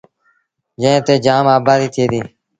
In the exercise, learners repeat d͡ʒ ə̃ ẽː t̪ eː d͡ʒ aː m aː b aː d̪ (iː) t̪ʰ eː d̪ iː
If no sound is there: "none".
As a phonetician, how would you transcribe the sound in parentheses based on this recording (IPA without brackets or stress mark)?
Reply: iː